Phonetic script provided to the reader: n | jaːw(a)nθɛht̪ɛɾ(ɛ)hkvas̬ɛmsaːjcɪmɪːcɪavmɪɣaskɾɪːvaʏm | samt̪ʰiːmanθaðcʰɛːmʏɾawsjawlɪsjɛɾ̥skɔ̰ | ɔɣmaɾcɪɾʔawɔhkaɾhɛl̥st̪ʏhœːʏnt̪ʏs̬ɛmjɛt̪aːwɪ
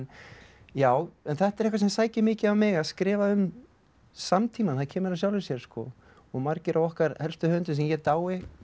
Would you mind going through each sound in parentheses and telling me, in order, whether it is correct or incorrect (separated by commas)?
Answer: incorrect, correct